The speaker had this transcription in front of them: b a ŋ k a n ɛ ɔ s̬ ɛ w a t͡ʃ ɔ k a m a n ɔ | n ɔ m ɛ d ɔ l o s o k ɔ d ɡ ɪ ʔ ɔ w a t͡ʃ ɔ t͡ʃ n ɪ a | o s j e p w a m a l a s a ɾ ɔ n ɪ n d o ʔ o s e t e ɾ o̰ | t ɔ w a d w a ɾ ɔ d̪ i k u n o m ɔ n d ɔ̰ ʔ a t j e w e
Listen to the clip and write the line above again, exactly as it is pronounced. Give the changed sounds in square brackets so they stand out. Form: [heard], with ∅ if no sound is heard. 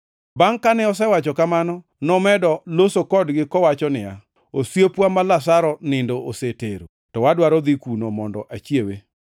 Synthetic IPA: b a ŋ k a n ɛ ɔ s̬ ɛ w a t͡ʃ ɔ k a m a n ɔ | n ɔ m ɛ d ɔ l o s o k ɔ d ɡ ɪ [k] ɔ w a t͡ʃ ɔ [∅] n ɪ a | o s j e p w a m a l a s a ɾ ɔ n ɪ n d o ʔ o s e t e ɾ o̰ | t ɔ w a d w a ɾ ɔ d̪ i k u n o m ɔ n d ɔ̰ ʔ a [t͡ʃ] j e w e